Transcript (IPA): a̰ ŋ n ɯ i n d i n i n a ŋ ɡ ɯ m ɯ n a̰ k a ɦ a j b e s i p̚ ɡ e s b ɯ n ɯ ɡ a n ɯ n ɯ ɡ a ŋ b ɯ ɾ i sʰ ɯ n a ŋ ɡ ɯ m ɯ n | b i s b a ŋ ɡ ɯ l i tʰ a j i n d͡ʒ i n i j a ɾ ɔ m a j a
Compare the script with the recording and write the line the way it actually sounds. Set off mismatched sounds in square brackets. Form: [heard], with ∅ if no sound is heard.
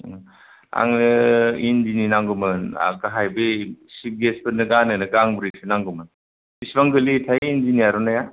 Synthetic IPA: a̰ ŋ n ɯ i n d i n i n a ŋ ɡ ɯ m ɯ n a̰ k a ɦ a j b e s i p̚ ɡ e s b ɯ n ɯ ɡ a n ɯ n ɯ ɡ a ŋ b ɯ ɾ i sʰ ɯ n a ŋ ɡ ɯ m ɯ n | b i s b a ŋ ɡ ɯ l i tʰ a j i n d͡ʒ i n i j a ɾ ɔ [n] a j a